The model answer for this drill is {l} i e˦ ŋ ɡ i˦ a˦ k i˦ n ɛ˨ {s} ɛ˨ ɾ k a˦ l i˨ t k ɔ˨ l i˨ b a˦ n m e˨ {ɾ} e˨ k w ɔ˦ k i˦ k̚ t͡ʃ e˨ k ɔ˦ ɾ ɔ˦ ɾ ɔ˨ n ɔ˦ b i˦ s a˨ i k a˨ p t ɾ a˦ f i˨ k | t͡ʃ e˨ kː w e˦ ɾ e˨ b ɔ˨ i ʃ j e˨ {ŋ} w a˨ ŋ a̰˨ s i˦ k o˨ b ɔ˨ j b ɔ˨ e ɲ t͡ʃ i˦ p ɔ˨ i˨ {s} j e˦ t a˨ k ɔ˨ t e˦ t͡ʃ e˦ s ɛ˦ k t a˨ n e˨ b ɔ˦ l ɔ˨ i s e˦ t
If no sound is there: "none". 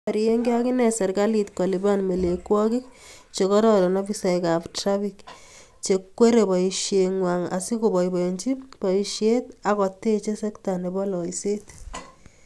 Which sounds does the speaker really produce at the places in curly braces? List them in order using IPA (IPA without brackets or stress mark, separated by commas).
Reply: ɾ, s, l, ŋ, ʃ